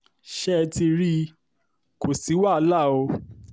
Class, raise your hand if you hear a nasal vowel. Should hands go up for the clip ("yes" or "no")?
no